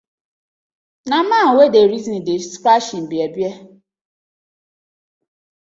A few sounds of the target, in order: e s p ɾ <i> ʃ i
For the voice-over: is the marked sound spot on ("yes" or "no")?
no